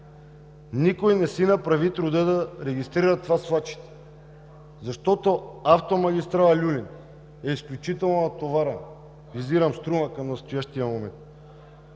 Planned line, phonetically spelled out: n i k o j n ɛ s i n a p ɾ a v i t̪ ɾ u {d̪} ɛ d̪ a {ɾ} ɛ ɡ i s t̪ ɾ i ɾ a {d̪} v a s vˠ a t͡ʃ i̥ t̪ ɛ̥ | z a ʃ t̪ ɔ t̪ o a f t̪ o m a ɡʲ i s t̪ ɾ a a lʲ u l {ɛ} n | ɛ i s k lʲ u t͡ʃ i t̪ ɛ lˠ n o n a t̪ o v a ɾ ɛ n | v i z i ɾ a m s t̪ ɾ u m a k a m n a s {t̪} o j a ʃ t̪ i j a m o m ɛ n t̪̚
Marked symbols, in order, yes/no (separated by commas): yes, yes, no, no, yes